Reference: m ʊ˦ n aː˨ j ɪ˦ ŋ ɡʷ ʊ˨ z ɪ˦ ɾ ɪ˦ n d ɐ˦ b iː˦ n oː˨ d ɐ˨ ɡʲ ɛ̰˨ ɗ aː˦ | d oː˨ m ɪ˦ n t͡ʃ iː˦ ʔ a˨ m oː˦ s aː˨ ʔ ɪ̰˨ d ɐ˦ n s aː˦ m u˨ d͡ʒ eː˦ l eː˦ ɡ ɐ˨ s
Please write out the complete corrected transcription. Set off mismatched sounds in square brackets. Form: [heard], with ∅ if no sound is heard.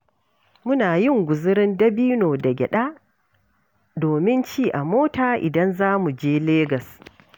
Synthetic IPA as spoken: m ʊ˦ n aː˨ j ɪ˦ ŋ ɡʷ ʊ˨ z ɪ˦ ɾ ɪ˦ n d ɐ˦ b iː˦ n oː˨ d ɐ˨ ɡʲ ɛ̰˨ ɗ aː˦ | d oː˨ m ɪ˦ n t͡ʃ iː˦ ʔ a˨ m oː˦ [t] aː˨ ʔ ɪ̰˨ d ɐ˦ n [z] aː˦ m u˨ d͡ʒ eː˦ l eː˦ ɡ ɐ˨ s